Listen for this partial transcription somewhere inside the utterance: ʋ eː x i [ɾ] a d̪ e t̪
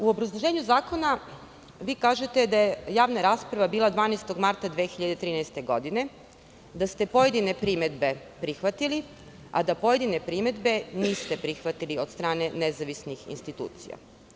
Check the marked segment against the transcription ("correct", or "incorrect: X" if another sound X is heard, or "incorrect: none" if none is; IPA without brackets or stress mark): incorrect: ʎ